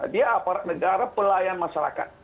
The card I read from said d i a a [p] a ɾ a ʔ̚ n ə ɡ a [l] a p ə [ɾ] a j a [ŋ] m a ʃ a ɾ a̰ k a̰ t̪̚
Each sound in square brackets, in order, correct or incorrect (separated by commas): correct, incorrect, incorrect, incorrect